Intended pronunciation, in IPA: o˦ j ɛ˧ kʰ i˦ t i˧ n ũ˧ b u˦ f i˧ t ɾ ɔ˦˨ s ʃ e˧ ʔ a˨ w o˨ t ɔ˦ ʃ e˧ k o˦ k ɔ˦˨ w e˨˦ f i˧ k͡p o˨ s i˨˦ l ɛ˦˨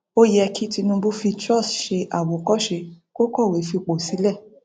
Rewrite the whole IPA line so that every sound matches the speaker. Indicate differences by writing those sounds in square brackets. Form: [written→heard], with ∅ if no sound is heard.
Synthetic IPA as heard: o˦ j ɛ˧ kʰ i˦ t i˧ n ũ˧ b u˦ f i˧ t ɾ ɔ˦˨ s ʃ e˧ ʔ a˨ w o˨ [t→k] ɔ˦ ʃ e˧ k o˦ k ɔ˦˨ w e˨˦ f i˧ k͡p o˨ s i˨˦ l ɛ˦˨